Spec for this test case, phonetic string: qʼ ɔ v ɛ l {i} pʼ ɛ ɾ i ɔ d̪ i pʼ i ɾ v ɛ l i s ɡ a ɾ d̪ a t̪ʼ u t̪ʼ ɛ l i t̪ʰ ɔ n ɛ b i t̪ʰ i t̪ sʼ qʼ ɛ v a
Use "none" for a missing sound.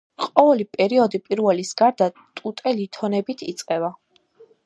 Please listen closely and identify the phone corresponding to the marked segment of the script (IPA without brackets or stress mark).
i